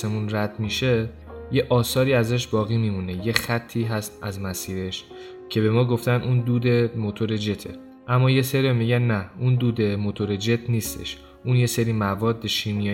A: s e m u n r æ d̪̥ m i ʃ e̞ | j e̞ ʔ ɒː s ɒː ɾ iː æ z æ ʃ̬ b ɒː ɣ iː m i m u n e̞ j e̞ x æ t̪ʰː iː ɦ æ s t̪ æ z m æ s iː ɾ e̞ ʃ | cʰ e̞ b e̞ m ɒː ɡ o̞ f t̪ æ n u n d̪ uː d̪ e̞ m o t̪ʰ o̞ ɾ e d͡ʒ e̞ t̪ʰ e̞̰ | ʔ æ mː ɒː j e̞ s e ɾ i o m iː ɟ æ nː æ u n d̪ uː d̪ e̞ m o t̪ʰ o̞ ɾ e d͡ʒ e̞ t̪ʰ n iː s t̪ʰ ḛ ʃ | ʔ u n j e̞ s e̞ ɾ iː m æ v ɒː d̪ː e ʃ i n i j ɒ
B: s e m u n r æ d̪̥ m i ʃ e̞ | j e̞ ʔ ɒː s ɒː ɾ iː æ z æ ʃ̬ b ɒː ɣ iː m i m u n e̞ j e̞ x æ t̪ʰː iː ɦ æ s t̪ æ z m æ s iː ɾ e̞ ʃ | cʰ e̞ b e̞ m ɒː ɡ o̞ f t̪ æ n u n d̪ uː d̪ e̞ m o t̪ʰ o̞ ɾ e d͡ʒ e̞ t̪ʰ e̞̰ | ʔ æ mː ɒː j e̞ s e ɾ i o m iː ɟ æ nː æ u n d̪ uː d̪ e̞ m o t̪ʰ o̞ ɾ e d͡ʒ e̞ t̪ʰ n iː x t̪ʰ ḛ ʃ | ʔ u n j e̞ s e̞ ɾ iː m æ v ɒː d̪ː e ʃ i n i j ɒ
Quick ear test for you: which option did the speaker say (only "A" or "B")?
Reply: A